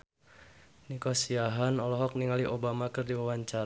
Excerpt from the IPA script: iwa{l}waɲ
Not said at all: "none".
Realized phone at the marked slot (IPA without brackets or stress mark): none